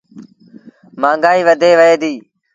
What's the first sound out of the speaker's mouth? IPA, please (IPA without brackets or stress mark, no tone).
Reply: m